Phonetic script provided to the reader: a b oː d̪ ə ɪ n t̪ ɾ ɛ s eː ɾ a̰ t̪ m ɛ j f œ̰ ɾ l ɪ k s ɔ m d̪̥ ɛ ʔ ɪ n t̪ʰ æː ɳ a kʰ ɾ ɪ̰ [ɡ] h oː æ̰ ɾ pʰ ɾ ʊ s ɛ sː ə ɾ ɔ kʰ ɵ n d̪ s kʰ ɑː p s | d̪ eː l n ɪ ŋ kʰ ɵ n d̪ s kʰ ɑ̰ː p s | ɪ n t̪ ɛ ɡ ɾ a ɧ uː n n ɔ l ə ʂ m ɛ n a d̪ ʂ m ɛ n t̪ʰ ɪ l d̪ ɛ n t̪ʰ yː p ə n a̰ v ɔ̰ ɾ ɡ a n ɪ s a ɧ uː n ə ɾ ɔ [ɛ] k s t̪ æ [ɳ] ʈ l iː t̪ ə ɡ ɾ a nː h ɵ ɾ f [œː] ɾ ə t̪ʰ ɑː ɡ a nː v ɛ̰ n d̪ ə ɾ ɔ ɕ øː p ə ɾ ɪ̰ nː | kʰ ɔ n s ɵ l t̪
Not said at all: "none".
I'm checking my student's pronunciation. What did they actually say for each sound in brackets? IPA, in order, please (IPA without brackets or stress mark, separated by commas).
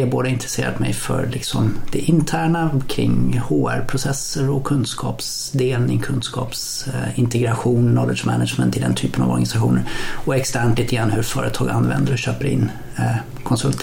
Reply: ŋ, ɛ, ɳ, œː